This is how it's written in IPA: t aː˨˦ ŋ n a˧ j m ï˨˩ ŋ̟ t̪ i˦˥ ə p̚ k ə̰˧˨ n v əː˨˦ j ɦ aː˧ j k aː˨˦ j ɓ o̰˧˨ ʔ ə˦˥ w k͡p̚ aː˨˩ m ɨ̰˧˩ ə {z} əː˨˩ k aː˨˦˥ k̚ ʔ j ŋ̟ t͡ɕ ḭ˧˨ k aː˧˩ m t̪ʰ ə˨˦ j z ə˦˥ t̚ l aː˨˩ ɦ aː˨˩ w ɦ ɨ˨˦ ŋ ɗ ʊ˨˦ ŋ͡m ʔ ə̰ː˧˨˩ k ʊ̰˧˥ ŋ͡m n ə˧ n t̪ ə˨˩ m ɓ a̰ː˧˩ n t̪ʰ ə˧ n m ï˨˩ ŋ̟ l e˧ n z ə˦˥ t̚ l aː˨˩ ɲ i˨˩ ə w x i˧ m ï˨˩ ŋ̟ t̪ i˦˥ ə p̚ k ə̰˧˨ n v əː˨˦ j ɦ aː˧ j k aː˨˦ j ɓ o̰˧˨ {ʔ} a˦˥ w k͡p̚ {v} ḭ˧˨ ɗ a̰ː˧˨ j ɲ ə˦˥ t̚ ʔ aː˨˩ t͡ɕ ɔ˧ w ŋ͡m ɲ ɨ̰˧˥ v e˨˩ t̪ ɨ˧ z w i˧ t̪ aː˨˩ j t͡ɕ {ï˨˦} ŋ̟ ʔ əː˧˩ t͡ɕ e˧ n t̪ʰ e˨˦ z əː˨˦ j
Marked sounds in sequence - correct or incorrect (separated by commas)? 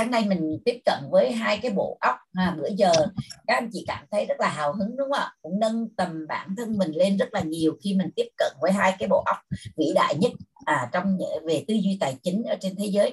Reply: correct, correct, correct, correct